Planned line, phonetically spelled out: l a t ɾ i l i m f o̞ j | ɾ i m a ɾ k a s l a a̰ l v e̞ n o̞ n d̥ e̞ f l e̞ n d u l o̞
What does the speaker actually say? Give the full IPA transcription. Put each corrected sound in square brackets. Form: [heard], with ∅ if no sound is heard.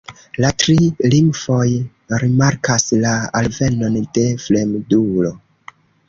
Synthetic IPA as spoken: l a t ɾ i l i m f o̞ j | ɾ i m a ɾ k a s l a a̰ l v e̞ n o̞ n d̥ e̞ f l e̞ [m] d u l o̞